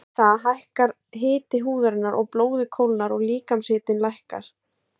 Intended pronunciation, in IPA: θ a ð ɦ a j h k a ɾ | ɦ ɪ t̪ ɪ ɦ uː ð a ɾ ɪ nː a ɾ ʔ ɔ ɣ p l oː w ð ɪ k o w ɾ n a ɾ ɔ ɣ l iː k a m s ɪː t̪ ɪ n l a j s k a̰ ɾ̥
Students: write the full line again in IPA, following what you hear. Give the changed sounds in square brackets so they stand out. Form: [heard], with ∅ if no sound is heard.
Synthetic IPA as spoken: θ a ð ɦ a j h k a ɾ | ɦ [ɪː] t̪ ɪ ɦ uː ð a ɾ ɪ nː a ɾ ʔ ɔ ɣ p l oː w ð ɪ [kʰ] o w [l] n a ɾ ɔ ɣ l iː k a m s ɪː t̪ ɪ n l a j [h] k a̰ ɾ̥